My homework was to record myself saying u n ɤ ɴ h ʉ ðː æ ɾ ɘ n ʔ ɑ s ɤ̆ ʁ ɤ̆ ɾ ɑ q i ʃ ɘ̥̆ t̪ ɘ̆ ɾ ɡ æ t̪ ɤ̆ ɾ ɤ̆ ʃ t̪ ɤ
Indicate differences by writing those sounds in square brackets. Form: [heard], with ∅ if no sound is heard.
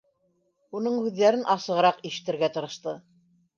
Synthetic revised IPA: u n ɤ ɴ h ʉ ðː æ ɾ ɘ n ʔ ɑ s ɤ̆ ʁ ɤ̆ ɾ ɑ q i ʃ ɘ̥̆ t̪ ɘ̆ ɾ ɡ æ t̪ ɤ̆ ɾ ɤ̆ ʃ t̪ ɤ